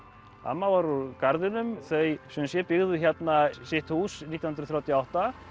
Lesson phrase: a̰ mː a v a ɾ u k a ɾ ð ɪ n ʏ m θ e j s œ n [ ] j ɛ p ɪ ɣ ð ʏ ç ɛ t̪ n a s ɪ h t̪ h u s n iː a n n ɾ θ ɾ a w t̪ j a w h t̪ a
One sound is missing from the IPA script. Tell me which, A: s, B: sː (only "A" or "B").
A